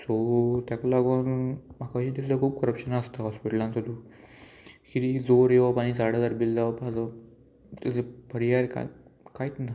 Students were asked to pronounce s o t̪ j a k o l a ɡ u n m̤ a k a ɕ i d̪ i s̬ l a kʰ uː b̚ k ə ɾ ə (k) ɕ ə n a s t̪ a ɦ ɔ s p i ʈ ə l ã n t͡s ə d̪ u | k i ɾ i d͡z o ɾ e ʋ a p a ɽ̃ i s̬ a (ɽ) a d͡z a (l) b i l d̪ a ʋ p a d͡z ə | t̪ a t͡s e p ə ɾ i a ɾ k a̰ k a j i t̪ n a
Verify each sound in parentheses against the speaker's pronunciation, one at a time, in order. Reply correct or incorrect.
incorrect, correct, incorrect

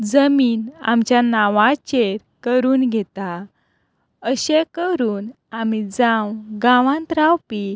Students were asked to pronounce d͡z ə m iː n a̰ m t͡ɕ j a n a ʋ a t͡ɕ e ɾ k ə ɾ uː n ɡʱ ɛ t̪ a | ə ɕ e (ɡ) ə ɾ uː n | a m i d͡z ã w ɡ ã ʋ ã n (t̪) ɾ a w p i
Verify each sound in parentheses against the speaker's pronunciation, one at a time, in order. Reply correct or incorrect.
incorrect, correct

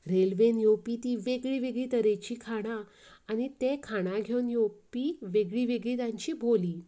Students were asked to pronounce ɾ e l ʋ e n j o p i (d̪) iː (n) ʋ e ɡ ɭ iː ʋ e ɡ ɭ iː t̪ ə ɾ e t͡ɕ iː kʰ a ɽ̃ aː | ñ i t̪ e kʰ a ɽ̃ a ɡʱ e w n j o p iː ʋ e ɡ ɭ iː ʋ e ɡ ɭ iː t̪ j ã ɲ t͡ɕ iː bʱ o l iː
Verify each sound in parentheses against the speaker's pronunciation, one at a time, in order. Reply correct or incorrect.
incorrect, incorrect

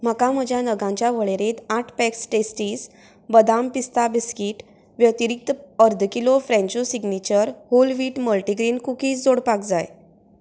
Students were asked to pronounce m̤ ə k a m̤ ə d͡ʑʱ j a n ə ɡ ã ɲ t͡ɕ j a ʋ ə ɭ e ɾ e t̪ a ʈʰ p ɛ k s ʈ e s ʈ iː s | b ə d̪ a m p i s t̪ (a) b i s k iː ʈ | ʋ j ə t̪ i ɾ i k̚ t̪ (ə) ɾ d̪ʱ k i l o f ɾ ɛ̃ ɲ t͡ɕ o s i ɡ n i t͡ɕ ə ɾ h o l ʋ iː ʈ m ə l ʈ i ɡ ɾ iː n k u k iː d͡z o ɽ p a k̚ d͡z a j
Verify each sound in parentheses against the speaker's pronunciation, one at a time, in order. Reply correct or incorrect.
correct, correct

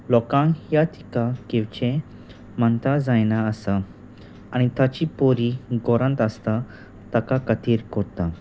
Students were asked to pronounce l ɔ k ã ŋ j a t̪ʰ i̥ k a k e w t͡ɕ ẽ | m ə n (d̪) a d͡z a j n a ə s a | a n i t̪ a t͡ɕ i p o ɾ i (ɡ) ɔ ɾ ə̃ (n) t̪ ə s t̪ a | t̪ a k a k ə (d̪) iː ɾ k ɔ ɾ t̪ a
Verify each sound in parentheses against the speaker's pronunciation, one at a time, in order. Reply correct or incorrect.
incorrect, correct, correct, incorrect

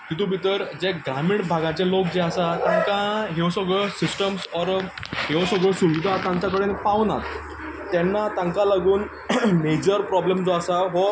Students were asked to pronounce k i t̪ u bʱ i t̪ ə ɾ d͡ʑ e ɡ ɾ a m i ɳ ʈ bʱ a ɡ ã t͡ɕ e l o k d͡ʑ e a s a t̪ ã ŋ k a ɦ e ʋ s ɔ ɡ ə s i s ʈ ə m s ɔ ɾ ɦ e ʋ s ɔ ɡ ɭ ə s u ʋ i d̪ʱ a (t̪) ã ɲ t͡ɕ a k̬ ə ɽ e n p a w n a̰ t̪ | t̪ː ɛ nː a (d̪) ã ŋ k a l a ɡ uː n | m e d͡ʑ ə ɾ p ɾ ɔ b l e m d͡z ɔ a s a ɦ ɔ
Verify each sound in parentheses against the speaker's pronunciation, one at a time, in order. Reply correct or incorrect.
correct, incorrect

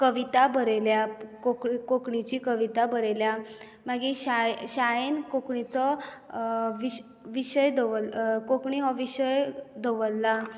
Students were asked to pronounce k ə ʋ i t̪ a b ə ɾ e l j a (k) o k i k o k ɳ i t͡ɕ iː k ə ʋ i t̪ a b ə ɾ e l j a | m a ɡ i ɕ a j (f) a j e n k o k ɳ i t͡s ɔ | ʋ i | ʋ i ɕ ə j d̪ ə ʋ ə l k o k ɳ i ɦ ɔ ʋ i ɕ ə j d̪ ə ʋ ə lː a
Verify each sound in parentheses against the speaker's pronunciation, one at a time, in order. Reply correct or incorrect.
correct, incorrect

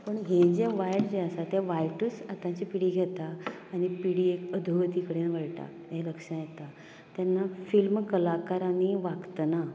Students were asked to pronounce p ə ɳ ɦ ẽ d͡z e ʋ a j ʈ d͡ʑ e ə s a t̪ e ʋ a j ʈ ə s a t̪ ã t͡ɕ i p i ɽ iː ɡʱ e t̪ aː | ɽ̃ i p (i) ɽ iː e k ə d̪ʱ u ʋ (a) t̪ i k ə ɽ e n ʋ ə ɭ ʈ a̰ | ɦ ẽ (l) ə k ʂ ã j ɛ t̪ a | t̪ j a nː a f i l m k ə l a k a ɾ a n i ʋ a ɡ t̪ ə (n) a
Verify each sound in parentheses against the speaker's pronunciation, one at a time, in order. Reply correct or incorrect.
correct, incorrect, correct, correct

